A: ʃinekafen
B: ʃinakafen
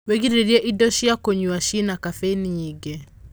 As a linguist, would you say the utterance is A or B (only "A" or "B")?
B